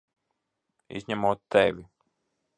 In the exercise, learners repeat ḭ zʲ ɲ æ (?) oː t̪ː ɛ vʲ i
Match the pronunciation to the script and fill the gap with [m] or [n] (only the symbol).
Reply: m